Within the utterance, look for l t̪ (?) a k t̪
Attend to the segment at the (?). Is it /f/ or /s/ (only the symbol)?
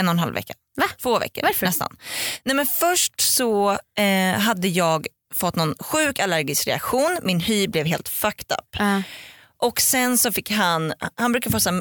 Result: f